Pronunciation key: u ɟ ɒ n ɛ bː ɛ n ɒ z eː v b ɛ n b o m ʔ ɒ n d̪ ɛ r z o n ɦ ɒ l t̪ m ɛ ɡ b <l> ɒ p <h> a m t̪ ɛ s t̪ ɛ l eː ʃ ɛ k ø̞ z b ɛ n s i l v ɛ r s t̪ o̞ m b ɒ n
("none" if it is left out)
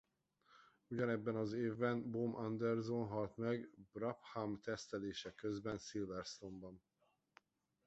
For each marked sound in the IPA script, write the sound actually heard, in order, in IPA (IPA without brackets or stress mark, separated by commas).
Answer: r, h